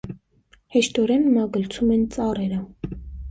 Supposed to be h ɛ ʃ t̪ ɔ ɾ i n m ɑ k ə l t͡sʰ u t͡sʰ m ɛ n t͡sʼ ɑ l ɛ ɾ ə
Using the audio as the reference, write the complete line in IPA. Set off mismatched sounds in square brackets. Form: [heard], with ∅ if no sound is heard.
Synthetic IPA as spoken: h ɛ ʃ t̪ ɔ ɾ [ɛ] n m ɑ [ɡ] ə l t͡sʰ u [∅] m ɛ n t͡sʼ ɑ [r] ɛ ɾ ə